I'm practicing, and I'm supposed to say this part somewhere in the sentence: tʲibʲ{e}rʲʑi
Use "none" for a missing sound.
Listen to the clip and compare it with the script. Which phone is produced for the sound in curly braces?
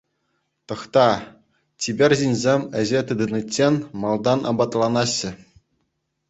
e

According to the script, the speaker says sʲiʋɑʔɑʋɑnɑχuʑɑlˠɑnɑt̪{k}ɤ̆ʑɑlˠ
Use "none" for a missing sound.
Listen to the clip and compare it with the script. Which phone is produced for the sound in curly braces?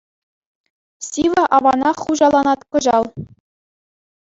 k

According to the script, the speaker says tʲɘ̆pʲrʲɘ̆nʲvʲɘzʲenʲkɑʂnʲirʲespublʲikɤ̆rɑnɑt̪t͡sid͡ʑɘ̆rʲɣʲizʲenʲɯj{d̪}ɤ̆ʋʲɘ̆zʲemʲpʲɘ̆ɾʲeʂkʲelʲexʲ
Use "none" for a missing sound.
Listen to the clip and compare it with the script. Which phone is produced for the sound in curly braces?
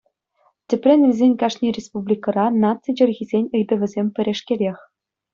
d̪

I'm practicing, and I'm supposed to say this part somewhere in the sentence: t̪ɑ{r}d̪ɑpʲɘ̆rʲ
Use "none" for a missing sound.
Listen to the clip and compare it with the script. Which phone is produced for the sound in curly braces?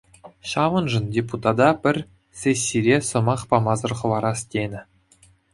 none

